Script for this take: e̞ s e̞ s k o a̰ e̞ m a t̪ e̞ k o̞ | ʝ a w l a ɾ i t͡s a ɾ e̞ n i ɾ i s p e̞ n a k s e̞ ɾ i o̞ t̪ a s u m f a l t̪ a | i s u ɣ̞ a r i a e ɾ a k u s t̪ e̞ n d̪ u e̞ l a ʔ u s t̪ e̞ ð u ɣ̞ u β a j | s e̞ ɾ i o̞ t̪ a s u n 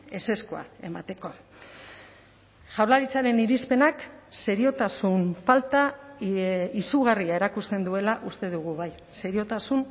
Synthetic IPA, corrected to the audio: e̞ s e̞ s k o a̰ e̞ m a t̪ e̞ k o̞ | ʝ a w l a ɾ i t͡s a ɾ e̞ n i ɾ i s p e̞ n a k s e̞ ɾ i o̞ t̪ a s u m f a l t̪ a | i s u ɣ̞ a r i a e ɾ a k u s t̪ e̞ n d̪ u e̞ l a ʔ u s t̪ e̞ ð u ɣ̞ u β a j | s e̞ ɾ i o̞ t̪ a s u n